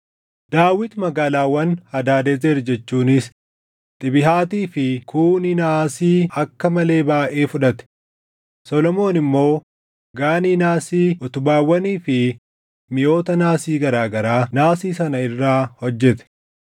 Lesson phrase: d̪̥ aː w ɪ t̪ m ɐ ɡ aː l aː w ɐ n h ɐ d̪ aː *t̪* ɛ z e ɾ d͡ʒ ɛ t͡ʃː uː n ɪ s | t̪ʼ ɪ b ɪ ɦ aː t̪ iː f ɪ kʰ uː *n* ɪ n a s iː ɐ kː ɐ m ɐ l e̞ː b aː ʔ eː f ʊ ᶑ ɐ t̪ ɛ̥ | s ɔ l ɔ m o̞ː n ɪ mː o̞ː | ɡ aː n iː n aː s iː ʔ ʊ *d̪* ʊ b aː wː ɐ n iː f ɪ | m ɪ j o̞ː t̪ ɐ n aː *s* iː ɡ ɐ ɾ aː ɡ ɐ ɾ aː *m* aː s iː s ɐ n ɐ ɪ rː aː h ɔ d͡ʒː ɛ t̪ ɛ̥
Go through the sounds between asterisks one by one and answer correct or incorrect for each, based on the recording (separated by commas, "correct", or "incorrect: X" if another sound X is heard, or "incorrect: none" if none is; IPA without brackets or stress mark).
incorrect: d̪, correct, incorrect: t̪, correct, incorrect: n